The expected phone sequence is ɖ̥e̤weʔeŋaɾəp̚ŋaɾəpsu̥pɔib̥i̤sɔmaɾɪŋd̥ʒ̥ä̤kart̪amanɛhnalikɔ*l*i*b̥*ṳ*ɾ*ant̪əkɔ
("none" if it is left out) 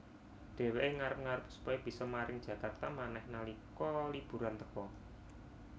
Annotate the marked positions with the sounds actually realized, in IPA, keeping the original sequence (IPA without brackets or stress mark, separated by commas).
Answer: l, b̥, ɾ